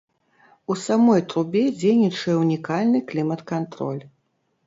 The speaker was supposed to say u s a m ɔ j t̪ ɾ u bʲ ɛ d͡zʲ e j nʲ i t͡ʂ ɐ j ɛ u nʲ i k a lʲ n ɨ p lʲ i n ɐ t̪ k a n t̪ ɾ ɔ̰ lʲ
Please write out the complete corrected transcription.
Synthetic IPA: u s a m ɔ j t̪ ɾ u bʲ ɛ d͡zʲ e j nʲ i t͡ʂ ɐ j ɛ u nʲ i k a lʲ n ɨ k lʲ i m ɐ t̪ k a n t̪ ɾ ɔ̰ lʲ